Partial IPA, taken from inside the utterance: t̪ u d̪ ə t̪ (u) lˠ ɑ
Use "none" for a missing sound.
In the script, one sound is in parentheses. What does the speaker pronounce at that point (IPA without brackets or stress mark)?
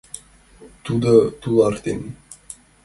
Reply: u